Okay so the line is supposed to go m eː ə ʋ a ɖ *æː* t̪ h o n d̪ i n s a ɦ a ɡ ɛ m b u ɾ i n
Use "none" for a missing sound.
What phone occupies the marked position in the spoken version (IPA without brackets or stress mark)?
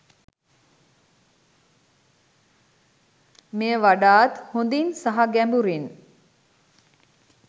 aː